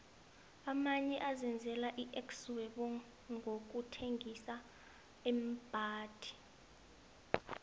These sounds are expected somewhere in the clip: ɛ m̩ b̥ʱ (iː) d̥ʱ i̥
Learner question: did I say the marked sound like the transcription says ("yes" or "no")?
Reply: no